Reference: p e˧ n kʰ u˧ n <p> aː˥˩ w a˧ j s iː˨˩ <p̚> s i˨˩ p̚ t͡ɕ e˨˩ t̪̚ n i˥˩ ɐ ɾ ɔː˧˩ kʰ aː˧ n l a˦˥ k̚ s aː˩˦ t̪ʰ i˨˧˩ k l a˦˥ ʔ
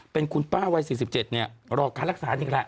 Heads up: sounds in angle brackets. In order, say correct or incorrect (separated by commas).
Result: correct, incorrect